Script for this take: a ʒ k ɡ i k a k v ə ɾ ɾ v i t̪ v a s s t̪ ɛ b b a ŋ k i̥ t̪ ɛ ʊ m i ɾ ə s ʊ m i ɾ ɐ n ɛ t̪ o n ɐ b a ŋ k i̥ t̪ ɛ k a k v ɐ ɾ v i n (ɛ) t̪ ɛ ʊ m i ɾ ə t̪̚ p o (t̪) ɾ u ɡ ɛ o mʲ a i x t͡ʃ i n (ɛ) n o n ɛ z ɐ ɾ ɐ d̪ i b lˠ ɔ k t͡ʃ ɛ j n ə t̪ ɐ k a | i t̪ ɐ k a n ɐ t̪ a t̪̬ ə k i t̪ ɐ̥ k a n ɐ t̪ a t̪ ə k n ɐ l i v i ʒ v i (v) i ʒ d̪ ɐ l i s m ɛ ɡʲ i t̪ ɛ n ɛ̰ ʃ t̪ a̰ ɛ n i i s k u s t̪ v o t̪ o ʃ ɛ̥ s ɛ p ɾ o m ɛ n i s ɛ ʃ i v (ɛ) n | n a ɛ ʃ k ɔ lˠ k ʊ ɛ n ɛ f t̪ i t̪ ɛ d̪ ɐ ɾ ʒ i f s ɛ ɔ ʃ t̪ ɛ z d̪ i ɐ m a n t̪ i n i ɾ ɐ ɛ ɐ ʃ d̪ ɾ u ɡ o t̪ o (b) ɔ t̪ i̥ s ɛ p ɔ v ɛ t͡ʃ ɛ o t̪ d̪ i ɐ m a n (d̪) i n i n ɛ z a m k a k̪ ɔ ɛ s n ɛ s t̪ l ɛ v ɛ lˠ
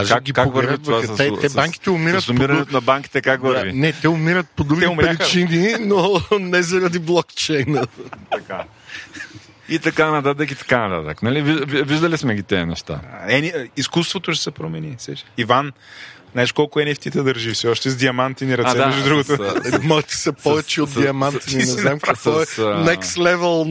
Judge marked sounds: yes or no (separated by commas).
yes, no, no, yes, no, no, no